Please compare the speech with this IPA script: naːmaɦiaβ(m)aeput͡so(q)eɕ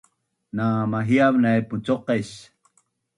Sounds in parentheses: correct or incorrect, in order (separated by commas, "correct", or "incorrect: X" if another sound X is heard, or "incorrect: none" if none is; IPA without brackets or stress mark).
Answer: incorrect: n, correct